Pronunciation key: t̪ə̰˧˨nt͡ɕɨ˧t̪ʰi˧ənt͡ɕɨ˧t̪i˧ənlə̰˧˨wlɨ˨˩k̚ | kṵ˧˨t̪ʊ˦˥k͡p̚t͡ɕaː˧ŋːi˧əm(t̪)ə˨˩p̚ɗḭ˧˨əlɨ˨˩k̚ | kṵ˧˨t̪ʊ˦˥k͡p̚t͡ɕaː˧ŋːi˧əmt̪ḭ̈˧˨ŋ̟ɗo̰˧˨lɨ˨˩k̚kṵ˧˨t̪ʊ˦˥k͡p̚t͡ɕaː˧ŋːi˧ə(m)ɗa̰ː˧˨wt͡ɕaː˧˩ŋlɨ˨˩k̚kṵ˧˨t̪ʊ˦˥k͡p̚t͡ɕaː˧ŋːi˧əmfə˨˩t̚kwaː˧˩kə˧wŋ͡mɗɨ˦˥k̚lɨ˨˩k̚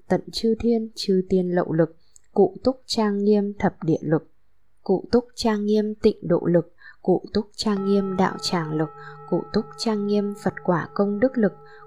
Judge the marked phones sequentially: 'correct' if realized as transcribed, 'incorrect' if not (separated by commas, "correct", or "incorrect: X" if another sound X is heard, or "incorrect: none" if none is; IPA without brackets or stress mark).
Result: incorrect: t̪ʰ, correct